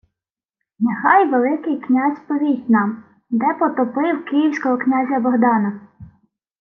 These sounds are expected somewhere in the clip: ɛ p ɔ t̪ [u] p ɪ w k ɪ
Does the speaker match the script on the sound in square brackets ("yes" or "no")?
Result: no